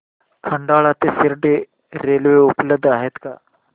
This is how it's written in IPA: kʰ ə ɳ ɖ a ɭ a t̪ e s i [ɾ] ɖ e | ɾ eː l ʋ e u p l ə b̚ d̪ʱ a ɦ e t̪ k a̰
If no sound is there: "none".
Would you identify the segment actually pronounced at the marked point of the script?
ɾ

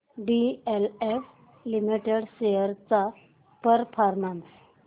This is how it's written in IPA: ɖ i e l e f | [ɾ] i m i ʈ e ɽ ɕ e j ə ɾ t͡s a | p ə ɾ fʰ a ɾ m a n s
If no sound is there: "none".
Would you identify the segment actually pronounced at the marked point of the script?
l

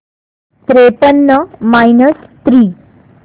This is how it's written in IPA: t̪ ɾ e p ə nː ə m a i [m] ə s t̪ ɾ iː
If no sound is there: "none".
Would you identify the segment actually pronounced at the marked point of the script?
n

